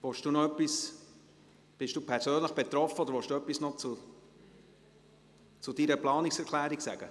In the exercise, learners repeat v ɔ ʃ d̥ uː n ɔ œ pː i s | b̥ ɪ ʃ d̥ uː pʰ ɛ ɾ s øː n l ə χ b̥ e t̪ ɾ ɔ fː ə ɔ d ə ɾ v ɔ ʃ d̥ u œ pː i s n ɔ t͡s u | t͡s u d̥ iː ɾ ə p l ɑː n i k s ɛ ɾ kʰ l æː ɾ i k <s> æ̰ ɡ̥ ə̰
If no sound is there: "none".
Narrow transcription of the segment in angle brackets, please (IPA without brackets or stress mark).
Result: s